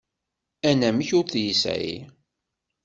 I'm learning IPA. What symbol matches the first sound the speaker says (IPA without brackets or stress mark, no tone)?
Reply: æ